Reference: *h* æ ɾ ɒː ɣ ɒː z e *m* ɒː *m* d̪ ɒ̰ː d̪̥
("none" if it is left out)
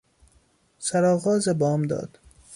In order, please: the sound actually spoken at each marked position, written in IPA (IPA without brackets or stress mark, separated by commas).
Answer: s, b, m